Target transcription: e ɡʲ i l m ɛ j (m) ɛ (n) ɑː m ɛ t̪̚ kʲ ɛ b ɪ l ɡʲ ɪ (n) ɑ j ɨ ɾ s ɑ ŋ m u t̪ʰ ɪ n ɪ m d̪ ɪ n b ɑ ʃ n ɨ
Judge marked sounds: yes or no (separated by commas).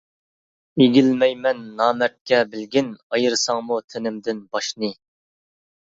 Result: yes, no, yes